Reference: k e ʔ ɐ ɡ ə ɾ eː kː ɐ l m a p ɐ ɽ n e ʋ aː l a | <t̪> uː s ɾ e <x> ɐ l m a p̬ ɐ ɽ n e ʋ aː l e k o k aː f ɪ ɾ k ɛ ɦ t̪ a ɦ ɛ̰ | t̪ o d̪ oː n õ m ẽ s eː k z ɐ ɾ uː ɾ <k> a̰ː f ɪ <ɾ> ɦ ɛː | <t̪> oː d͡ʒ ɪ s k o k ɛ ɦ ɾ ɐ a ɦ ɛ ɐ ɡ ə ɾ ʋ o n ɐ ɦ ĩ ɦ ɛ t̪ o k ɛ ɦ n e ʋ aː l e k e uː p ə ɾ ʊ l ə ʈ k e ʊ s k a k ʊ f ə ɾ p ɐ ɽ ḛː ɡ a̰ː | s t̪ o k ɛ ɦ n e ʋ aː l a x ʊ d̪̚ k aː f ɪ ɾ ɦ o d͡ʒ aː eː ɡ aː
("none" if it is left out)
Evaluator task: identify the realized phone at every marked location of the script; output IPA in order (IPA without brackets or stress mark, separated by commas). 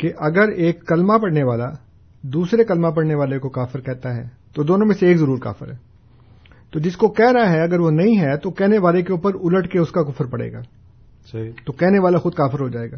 d̪, k, k, ɾ, t̪